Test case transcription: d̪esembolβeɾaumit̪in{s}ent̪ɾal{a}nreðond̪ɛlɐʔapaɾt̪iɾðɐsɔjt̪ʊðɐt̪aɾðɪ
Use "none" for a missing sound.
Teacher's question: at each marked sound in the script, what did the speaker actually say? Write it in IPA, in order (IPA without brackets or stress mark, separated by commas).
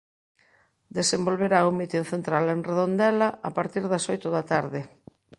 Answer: θ, e